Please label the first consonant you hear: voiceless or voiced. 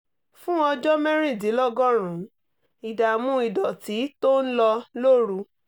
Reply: voiceless